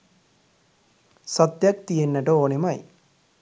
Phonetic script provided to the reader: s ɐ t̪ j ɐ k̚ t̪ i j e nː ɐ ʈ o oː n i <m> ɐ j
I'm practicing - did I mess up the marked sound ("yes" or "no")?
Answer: no